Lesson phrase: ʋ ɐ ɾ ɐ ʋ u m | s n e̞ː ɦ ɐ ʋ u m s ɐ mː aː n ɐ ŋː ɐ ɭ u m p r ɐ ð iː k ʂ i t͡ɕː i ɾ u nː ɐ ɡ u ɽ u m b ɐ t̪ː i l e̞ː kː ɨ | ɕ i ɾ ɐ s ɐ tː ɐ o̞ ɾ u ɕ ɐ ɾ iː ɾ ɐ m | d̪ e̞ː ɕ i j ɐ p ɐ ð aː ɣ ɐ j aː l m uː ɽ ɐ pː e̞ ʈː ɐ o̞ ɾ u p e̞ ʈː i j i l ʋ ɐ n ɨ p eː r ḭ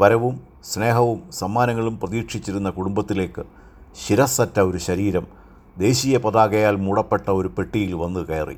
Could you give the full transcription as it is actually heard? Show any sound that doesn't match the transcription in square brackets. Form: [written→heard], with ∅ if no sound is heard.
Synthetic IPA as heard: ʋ ɐ ɾ ɐ ʋ u m | s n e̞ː ɦ ɐ ʋ u m s ɐ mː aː n ɐ ŋː ɐ ɭ u m p r ɐ ð iː k ʂ i t͡ɕː i ɾ u nː ɐ [ɡ→k] u ɽ u m b ɐ t̪ː i l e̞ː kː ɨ | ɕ i ɾ ɐ s ɐ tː ɐ o̞ ɾ u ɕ ɐ ɾ iː ɾ ɐ m | d̪ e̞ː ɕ i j ɐ p ɐ ð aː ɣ ɐ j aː l m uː ɽ ɐ pː e̞ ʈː ɐ o̞ ɾ u p e̞ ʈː i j i l ʋ ɐ [n→nː] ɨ [p→k] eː r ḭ